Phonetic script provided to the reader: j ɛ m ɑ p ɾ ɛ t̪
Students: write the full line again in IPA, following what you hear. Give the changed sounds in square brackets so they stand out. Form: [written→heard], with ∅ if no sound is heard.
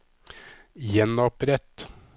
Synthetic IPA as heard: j ɛ [m→n] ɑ p ɾ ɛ t̪

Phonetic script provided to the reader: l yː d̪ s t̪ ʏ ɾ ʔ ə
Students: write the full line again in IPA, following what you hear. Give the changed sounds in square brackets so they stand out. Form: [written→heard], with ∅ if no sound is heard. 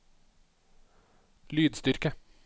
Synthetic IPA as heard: l yː d̪ s t̪ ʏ ɾ [ʔ→k] ə

